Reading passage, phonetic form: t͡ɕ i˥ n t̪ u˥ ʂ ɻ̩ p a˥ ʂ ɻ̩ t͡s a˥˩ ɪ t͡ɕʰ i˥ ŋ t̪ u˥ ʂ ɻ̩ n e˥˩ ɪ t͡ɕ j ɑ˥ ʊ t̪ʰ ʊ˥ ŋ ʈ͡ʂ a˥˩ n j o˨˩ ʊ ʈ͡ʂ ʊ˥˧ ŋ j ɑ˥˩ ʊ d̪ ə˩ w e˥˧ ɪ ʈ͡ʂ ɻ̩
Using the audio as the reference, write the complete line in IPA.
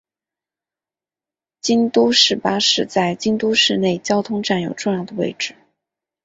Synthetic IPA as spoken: t͡ɕ i˥ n t̪ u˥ ʂ ɻ̩ p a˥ ʂ ɻ̩ t͡s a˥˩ ɪ t͡ɕ i˥ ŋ t̪ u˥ ʂ ɻ̩ n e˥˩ ɪ t͡ɕ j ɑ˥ ʊ t̪ʰ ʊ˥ ŋ ʈ͡ʂ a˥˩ n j o˨˩ ʊ ʈ͡ʂ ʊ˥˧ ŋ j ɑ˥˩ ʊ d̪ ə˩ w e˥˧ ɪ ʈ͡ʂ ɻ̩